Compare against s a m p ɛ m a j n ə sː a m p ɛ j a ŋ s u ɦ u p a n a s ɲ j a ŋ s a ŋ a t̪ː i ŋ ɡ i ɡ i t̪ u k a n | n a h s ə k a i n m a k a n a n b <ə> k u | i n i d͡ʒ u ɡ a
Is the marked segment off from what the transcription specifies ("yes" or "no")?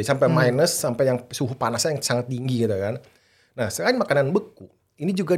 no